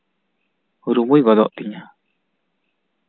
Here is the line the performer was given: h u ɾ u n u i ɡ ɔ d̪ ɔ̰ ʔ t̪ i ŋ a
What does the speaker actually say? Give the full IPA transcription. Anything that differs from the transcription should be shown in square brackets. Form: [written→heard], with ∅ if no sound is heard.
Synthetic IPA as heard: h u ɾ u [n→m] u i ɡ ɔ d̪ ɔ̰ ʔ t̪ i [ŋ→ɲ] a